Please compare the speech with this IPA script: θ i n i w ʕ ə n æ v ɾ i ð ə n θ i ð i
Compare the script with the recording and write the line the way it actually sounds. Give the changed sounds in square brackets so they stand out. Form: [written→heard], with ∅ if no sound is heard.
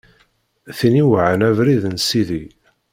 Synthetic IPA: θ i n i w ʕ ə n æ v ɾ i ð ə n [θ→s] i ð i